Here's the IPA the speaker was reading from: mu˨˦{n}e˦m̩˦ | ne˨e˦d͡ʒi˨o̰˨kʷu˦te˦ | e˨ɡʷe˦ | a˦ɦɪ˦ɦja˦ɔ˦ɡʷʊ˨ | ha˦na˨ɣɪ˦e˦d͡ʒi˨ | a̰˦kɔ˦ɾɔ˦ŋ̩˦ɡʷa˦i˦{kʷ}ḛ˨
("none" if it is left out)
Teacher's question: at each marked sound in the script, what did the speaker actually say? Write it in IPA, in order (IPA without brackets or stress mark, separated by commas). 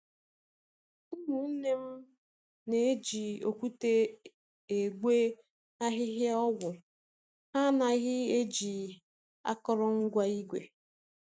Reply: n, ɡʷ